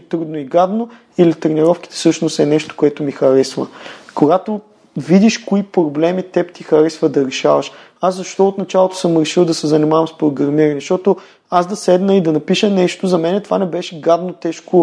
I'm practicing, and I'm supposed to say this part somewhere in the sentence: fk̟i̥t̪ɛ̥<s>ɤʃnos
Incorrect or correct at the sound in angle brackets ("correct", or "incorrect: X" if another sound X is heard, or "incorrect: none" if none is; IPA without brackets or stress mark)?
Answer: correct